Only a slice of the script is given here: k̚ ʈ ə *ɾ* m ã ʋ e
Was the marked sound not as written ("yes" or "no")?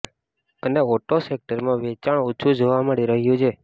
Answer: no